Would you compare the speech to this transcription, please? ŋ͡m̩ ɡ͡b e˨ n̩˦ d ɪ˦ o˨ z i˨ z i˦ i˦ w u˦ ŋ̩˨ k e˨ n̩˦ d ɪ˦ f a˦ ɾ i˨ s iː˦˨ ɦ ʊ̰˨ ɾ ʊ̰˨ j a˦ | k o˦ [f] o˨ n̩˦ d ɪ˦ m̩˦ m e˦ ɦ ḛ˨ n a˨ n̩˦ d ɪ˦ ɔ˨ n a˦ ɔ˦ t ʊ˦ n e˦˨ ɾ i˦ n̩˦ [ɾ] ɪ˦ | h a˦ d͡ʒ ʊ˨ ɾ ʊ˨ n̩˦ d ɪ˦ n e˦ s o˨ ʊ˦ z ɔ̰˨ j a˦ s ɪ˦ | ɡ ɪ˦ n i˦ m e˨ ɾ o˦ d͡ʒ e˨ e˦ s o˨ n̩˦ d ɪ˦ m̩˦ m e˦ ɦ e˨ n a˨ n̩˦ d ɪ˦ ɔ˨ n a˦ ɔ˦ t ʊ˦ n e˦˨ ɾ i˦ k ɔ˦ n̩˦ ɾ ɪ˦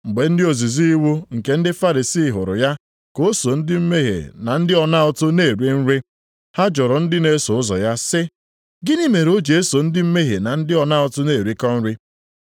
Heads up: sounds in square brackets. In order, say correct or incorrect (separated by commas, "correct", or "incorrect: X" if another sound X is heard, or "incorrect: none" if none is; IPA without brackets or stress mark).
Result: incorrect: s, correct